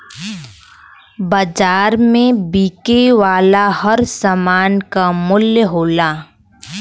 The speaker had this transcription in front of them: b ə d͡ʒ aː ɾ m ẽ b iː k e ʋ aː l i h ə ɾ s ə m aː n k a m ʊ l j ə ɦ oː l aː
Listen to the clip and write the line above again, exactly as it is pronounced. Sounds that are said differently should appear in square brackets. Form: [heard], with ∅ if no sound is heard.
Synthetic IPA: b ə d͡ʒ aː ɾ m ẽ b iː k e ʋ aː l [a] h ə ɾ s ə m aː n k a m ʊ l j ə ɦ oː l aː